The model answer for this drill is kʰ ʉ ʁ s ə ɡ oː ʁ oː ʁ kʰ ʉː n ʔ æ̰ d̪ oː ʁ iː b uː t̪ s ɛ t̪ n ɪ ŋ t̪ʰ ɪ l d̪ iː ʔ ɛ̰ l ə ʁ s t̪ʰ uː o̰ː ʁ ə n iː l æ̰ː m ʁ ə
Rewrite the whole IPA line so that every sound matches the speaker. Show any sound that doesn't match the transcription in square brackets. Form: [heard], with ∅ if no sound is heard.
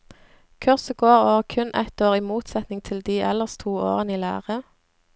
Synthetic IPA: kʰ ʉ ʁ s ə ɡ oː ʁ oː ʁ kʰ [ʉ] n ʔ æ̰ [t̪] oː ʁ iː [m] uː t̪ s ɛ t̪ n ɪ ŋ t̪ʰ ɪ l d̪ iː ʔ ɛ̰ l ə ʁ s t̪ʰ uː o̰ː ʁ ə n iː l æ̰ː [∅] ʁ ə